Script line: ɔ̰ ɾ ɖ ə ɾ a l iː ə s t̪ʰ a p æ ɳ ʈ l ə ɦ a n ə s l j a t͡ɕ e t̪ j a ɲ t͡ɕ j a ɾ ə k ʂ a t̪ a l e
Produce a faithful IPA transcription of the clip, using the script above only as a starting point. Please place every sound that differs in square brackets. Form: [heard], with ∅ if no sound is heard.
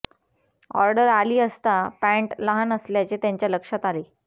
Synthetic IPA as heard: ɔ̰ ɾ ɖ ə ɾ a l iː ə s [t̪] a p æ ɳ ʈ l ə ɦ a n ə s l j a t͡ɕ e t̪ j a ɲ t͡ɕ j a [l] ə k ʂ a t̪ a l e